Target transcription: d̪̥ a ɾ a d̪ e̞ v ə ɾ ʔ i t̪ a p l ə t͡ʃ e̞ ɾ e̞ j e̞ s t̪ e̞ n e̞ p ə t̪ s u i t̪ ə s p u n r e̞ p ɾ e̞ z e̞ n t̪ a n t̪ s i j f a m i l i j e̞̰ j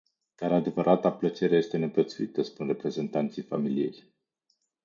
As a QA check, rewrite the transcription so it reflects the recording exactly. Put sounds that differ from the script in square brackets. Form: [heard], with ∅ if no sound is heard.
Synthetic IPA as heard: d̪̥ a ɾ a d̪ e̞ v ə ɾ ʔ [a] t̪ a p l ə t͡ʃ e̞ ɾ e̞ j e̞ s t̪ e̞ n e̞ p ə t̪ s u i t̪ ə s p u n r e̞ p ɾ e̞ z e̞ n t̪ a n t̪ s i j f a m i l i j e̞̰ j